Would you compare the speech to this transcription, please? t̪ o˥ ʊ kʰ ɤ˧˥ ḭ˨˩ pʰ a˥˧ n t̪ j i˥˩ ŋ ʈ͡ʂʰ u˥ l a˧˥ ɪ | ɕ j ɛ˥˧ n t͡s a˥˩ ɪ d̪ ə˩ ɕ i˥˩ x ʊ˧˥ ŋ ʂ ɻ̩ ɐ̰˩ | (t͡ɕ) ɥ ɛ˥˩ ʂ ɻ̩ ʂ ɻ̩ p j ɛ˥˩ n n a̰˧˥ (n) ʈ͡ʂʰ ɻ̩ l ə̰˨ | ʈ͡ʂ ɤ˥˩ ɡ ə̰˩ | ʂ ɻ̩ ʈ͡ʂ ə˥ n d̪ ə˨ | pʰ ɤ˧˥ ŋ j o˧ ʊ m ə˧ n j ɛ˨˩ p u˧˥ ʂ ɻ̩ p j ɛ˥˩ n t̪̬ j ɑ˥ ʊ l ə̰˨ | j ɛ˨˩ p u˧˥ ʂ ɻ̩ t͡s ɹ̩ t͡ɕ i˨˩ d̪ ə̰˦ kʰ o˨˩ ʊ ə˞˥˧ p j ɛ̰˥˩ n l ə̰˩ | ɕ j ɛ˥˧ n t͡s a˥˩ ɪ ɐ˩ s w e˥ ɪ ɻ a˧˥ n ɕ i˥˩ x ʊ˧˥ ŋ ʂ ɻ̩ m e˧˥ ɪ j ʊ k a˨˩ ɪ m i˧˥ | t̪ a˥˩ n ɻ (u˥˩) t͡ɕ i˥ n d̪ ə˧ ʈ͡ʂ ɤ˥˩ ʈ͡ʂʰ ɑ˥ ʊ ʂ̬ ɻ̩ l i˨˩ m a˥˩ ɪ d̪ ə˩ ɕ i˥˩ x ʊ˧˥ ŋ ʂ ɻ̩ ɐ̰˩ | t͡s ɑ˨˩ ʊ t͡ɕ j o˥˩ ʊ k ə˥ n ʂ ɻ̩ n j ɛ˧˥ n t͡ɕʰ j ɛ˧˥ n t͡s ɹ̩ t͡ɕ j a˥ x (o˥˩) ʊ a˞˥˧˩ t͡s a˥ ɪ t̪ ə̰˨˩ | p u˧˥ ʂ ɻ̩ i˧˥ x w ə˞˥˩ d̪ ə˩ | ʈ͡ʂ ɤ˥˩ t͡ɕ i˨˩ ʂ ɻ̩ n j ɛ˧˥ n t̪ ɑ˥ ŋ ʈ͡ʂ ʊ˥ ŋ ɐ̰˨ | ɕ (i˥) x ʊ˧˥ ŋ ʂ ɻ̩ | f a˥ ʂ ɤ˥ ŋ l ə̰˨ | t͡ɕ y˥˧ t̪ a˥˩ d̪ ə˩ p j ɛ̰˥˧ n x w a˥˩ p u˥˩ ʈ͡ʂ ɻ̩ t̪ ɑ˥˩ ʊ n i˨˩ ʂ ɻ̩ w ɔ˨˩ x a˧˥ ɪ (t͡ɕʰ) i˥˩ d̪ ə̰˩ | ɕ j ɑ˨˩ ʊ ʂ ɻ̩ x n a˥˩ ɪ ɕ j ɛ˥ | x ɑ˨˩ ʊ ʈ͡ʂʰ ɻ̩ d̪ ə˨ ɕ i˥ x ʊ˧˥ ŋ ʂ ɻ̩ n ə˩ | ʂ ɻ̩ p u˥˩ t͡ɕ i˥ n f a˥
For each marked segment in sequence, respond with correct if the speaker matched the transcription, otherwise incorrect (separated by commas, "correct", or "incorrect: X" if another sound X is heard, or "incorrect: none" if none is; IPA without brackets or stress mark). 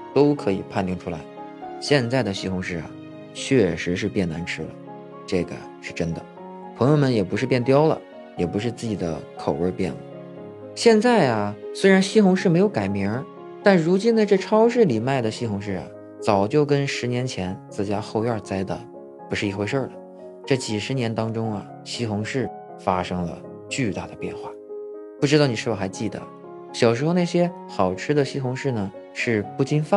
incorrect: t͡ɕʰ, correct, incorrect: u˧˥, incorrect: o˥˧, correct, incorrect: t͡ɕ